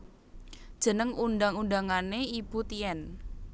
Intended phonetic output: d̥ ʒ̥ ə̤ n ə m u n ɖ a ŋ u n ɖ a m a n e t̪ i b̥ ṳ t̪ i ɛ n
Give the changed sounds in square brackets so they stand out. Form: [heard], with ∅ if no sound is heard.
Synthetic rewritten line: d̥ ʒ̥ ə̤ n ə [ŋ] u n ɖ a ŋ u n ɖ a [ŋ] a n e [∅] i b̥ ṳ t̪ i ɛ n